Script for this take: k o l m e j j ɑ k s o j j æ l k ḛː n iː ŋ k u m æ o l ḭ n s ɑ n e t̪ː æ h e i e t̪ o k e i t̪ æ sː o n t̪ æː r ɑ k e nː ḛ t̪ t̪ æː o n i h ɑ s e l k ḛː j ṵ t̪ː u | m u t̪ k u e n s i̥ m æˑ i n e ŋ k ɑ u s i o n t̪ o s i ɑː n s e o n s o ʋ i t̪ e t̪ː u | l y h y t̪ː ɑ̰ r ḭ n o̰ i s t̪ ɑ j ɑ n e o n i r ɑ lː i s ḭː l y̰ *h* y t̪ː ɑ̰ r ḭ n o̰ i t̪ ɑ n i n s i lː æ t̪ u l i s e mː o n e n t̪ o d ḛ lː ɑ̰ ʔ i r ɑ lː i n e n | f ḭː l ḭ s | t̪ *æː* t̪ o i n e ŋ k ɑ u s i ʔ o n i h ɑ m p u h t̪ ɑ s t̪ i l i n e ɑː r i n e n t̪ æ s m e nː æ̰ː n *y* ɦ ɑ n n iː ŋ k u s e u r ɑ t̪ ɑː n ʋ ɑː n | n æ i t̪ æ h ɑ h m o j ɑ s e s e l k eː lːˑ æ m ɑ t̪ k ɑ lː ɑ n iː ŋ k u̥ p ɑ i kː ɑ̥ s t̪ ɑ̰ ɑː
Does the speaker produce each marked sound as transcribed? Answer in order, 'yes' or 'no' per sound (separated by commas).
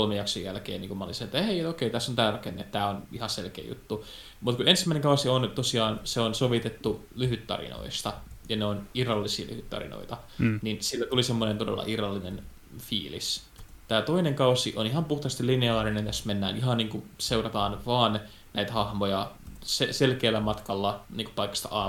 yes, yes, no